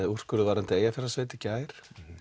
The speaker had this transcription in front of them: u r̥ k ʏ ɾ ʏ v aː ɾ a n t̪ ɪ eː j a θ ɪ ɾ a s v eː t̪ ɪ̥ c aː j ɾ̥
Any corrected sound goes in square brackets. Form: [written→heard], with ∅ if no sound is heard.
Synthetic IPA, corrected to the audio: u r̥ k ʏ ɾ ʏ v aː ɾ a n t̪ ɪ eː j a [θ→f] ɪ ɾ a s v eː t̪ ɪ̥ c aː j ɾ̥